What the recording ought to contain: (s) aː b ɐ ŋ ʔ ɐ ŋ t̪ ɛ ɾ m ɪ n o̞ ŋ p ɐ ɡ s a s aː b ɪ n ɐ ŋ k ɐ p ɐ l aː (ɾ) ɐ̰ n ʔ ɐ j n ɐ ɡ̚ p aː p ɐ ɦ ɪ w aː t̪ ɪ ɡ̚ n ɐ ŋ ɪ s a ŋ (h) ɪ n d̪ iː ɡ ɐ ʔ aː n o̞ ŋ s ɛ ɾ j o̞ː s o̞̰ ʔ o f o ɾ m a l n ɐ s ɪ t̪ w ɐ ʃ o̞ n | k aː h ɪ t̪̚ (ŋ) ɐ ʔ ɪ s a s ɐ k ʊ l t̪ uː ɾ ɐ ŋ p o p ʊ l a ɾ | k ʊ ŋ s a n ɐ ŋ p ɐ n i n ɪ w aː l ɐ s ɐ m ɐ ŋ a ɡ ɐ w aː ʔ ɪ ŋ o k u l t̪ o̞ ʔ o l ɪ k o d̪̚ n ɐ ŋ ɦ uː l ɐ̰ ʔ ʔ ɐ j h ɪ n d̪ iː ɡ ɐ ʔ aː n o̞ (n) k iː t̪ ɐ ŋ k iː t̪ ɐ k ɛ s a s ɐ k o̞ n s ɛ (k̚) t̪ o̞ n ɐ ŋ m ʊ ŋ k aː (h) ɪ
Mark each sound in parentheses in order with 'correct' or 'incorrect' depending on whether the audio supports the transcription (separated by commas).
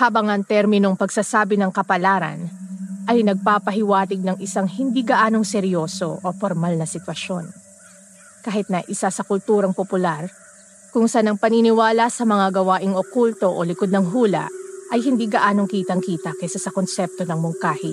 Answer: incorrect, correct, correct, incorrect, incorrect, incorrect, correct